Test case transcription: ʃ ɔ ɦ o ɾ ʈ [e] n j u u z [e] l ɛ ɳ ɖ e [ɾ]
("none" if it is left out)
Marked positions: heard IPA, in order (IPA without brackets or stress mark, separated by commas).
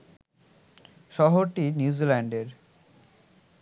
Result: i, i, ɾ